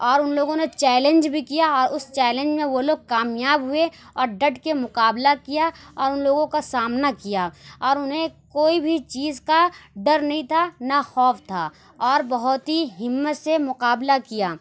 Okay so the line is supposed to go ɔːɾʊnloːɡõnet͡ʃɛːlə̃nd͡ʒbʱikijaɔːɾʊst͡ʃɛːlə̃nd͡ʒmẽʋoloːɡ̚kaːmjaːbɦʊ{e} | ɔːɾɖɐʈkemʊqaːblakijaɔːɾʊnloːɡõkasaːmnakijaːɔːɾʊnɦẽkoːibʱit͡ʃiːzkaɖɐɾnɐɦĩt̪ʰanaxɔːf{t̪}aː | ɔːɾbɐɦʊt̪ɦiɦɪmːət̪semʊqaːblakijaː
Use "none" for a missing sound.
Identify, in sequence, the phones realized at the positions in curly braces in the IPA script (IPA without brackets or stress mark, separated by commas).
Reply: e, t̪ʰ